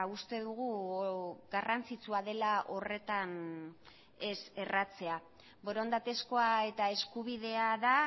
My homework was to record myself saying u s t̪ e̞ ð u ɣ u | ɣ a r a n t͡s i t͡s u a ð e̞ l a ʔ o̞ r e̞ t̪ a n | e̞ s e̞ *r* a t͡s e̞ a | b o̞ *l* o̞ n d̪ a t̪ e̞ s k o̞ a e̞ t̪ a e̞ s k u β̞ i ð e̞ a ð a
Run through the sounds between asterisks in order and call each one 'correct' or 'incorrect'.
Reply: correct, incorrect: ɾ

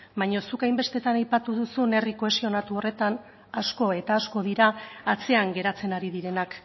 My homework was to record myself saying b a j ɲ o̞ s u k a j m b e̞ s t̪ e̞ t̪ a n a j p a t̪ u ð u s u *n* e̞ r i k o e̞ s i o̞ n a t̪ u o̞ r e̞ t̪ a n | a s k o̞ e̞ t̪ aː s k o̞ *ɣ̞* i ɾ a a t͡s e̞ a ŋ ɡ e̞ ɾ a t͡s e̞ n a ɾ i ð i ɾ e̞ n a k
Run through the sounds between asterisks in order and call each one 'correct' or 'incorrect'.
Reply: correct, incorrect: ð̞

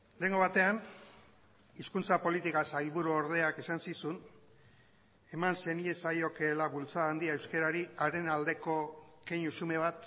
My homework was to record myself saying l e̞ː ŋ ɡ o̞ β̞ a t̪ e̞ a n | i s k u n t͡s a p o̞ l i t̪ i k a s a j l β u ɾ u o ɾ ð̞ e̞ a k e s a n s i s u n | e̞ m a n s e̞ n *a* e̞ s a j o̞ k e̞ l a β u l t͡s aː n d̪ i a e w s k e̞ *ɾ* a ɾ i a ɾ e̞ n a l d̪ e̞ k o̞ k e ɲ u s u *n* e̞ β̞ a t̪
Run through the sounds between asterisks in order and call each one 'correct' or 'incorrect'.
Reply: incorrect: i, correct, incorrect: m

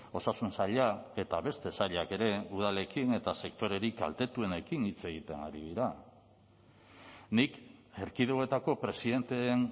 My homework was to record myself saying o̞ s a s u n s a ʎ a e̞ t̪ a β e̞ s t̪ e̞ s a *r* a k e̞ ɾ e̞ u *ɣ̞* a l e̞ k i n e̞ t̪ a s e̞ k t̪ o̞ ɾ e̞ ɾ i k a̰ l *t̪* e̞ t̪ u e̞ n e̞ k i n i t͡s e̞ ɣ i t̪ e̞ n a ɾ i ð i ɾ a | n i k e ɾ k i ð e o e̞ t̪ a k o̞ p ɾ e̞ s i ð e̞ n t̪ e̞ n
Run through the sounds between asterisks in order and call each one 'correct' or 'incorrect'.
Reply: incorrect: ʎ, incorrect: ð̞, correct

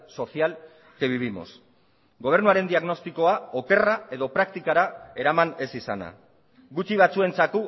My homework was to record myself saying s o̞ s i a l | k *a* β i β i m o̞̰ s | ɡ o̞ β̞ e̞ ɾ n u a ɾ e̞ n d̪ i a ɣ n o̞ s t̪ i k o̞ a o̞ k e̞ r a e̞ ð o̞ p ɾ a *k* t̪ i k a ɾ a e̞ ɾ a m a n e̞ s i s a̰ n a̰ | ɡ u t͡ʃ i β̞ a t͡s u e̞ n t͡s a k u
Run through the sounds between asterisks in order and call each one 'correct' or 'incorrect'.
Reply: incorrect: e, correct

